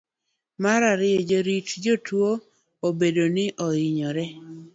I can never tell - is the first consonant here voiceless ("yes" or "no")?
no